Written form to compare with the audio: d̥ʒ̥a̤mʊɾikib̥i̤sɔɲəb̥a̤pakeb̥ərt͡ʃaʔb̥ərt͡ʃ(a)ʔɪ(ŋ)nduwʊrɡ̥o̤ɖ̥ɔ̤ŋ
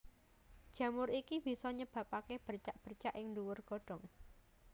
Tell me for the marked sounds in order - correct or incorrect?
correct, correct

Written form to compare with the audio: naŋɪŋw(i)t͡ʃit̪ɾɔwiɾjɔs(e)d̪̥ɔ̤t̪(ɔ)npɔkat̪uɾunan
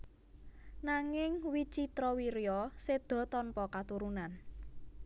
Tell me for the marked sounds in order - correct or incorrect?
correct, correct, correct

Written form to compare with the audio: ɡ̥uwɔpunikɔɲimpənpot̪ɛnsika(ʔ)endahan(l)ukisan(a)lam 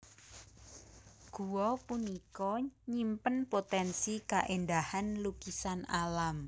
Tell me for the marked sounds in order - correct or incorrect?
correct, correct, correct

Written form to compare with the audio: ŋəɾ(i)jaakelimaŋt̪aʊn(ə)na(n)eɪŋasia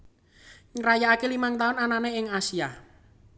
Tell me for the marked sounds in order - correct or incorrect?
incorrect: a, incorrect: a, correct

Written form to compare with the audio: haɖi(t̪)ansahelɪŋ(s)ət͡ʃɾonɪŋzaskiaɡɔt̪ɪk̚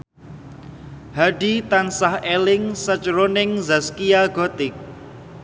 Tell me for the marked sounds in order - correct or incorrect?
correct, correct

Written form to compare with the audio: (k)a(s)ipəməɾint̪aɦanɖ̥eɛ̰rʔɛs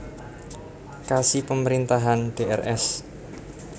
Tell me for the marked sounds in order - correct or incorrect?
correct, correct

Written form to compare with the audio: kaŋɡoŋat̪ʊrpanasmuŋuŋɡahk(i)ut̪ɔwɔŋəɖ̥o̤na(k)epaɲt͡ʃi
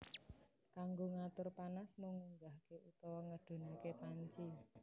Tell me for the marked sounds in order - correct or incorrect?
incorrect: e, correct

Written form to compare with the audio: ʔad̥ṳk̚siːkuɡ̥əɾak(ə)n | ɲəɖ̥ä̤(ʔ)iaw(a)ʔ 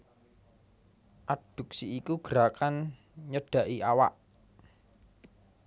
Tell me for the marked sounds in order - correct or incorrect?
incorrect: a, correct, correct

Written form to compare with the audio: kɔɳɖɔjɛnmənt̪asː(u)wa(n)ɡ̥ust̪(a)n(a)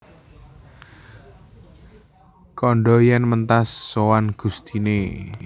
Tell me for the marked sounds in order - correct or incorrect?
incorrect: o, correct, incorrect: i, incorrect: e

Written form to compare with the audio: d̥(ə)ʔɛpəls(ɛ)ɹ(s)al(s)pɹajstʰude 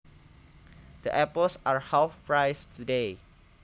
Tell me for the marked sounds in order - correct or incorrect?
correct, incorrect: a, incorrect: h, incorrect: f

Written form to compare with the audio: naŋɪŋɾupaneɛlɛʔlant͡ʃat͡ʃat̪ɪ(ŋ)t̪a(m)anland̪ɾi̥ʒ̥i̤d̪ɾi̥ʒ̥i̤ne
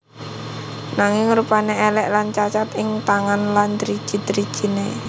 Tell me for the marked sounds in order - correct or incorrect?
correct, incorrect: ŋ

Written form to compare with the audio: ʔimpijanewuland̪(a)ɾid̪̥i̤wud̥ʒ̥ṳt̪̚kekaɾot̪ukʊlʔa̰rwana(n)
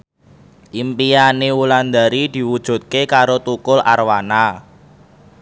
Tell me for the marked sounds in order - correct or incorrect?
correct, incorrect: none

